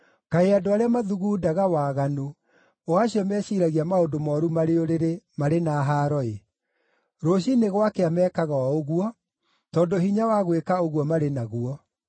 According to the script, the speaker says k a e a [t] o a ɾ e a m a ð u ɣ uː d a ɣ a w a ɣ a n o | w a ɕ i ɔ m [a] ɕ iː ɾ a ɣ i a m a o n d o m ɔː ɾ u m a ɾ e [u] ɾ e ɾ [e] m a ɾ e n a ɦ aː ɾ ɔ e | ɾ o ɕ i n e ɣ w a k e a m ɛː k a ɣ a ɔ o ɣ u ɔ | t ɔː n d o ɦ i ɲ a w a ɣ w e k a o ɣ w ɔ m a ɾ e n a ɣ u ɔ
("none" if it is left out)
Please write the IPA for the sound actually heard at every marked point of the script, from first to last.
d, ɛ, o, e

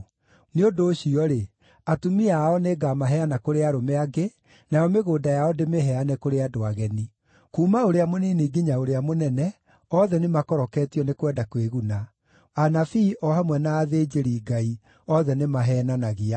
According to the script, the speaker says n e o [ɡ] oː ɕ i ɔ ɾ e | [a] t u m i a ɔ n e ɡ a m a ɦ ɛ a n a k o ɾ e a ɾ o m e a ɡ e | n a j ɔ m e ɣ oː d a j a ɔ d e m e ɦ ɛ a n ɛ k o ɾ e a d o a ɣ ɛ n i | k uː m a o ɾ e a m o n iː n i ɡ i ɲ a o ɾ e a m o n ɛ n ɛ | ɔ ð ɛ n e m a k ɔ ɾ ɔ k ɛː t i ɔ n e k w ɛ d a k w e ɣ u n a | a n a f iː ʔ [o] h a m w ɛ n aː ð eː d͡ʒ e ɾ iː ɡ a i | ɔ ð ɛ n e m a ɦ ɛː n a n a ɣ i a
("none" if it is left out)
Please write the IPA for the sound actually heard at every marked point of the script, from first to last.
d, a, ɔ

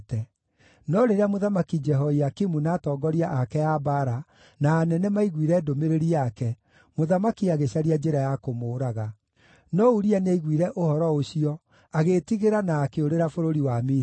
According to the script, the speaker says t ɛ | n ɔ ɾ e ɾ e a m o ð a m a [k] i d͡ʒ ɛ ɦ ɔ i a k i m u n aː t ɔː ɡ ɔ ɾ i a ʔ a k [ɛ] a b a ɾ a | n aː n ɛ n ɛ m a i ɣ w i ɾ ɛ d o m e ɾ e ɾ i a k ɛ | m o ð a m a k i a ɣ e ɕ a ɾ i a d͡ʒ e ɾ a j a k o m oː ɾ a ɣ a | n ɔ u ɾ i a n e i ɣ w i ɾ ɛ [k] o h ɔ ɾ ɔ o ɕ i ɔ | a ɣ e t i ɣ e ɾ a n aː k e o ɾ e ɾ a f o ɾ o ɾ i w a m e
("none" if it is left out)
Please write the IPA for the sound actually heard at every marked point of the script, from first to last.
k, ɛ, ʔ

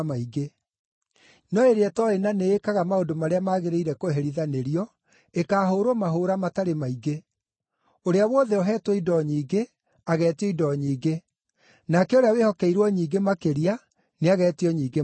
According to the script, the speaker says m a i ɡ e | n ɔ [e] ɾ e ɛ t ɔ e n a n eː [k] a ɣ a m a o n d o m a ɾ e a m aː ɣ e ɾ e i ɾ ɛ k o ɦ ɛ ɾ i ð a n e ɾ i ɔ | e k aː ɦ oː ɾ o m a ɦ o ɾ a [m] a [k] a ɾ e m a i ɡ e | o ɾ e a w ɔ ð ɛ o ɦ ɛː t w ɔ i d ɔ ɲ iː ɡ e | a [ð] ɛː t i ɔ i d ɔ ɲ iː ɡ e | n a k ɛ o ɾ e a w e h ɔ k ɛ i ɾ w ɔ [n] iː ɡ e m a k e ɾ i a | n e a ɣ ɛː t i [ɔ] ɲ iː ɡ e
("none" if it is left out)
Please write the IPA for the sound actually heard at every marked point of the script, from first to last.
e, k, m, t, ɣ, ɲ, ɔ

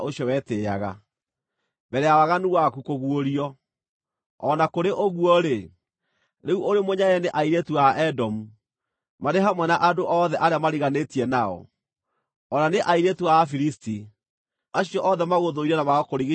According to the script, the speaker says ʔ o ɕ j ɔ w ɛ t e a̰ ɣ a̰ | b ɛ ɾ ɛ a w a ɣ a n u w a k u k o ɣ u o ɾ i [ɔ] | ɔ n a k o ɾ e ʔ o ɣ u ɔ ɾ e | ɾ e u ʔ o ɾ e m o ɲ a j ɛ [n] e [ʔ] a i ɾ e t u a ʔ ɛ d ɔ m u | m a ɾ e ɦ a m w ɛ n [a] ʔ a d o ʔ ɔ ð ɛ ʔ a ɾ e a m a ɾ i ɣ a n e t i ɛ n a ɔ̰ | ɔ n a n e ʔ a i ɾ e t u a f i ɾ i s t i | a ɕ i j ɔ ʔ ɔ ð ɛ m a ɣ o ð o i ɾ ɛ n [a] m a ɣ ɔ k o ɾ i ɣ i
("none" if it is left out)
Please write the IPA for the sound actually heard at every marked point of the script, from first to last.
ɔ, n, ʔ, a, a

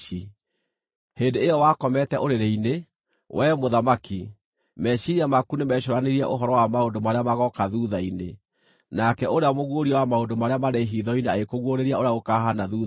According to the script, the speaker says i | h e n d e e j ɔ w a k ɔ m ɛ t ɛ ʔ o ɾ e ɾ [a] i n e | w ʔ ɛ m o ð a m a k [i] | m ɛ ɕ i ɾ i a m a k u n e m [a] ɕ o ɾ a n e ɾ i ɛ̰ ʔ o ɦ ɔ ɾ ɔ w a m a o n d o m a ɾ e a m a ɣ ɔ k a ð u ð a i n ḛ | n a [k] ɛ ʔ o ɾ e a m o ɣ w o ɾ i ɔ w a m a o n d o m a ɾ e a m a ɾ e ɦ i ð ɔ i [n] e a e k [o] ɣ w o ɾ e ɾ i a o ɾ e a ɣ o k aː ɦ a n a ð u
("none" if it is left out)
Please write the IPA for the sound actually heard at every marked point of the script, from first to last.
e, i, ɛ, k, n, o

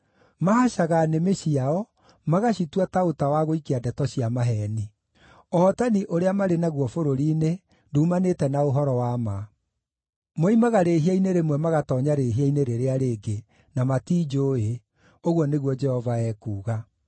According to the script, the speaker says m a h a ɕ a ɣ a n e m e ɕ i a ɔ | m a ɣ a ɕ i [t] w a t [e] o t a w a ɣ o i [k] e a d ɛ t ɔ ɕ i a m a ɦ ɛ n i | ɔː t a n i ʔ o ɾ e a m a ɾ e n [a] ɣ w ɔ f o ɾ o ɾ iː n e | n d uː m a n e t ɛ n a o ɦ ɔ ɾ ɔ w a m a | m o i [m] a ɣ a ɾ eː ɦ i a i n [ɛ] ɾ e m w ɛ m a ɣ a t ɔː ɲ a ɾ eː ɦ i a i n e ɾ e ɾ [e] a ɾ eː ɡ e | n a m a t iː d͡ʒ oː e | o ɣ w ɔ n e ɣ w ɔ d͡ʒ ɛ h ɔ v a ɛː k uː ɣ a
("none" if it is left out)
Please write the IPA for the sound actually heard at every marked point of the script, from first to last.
t, a, k, a, m, e, e

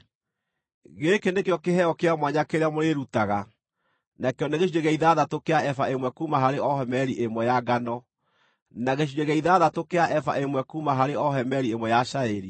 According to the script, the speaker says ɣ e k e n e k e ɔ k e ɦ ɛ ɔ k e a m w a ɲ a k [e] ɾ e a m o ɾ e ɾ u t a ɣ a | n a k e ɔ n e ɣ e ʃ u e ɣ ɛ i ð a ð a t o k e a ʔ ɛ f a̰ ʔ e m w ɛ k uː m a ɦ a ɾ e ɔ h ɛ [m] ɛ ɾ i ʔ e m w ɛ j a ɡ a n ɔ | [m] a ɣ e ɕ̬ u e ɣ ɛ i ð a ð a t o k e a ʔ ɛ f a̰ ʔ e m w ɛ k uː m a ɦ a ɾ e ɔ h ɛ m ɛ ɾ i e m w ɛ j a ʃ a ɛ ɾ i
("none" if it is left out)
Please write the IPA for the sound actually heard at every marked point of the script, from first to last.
e, m, n

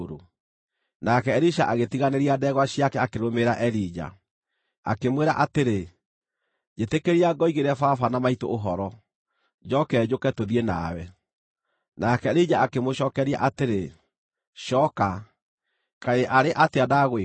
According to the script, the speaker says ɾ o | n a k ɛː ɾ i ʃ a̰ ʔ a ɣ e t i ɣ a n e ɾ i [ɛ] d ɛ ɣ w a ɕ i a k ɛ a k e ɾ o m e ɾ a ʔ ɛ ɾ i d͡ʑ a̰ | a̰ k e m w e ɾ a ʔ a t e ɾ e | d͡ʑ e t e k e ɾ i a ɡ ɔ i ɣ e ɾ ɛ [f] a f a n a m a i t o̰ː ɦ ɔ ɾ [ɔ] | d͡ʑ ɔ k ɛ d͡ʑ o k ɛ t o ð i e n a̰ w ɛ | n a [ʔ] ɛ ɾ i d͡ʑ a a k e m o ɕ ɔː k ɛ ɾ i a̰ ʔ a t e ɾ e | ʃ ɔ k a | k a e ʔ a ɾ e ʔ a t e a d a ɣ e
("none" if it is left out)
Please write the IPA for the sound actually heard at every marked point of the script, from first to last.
a, f, ɔ, k

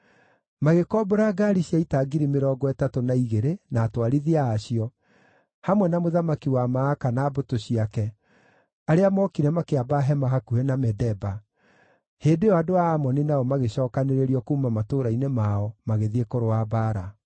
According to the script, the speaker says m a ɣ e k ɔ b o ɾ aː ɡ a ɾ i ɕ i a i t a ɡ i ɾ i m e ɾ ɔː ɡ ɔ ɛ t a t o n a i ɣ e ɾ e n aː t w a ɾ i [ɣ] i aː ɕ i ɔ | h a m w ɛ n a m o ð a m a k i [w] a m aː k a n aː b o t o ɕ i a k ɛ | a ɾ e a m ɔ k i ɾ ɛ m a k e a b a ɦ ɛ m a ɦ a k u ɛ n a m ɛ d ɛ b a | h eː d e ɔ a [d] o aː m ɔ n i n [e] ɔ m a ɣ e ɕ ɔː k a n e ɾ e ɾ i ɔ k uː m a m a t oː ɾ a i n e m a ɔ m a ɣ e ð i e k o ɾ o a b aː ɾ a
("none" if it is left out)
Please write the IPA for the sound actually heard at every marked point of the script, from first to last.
ð, w, d, a

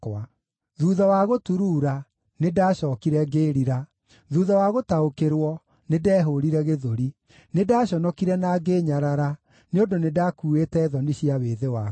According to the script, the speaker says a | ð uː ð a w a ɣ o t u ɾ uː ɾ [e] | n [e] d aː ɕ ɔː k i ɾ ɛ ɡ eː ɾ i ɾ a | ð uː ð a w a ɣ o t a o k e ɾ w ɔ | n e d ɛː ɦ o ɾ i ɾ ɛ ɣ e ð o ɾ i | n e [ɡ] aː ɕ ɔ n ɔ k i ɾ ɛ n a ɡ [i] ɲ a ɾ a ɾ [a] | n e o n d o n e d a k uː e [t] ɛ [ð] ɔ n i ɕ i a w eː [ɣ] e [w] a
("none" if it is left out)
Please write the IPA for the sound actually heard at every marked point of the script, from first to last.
a, e, d, e, a, t, ð, ð, w

